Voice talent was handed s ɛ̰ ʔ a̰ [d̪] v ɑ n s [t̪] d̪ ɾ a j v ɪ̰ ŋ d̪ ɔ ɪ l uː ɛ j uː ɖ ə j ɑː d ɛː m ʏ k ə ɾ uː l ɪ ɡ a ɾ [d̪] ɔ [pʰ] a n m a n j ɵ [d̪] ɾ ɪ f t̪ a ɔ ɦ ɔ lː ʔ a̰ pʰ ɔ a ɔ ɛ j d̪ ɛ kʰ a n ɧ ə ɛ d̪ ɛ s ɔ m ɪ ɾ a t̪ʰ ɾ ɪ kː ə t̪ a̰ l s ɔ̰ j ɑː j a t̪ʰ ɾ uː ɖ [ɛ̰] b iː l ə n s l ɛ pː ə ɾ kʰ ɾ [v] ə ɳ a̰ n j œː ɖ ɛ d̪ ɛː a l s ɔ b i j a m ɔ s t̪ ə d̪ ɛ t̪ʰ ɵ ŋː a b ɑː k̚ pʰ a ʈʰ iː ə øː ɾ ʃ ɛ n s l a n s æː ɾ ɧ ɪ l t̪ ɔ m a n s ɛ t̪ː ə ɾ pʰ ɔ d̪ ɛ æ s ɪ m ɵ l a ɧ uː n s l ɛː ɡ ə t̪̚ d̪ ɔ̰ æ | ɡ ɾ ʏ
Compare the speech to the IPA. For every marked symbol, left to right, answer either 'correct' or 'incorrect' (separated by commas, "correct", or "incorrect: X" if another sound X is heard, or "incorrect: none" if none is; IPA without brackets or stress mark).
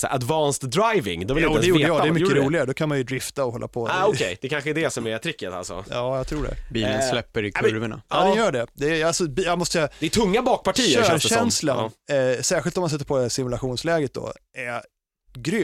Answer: correct, correct, correct, incorrect: kʰ, correct, correct, correct